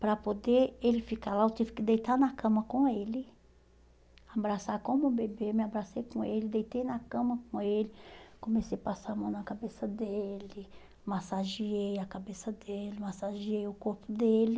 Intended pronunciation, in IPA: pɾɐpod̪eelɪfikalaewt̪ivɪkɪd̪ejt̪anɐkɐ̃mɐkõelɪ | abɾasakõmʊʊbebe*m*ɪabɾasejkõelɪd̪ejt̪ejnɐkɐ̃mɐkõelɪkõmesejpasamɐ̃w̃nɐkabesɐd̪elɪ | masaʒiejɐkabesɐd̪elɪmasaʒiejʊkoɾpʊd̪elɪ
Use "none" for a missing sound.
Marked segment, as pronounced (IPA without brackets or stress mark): m